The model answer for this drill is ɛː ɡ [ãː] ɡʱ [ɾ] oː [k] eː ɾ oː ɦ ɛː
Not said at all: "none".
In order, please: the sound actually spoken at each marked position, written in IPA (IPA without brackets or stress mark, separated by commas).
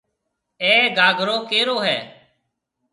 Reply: aː, ɾ, k